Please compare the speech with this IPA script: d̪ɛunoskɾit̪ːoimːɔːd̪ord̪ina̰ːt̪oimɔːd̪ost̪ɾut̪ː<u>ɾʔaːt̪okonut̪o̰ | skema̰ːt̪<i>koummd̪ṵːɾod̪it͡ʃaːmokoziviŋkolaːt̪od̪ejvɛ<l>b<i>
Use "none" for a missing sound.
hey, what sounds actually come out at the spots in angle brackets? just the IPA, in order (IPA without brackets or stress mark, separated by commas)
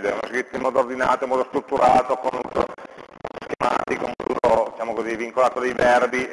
u, i, r, i